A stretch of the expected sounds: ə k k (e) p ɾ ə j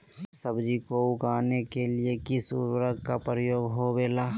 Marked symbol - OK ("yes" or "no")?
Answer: no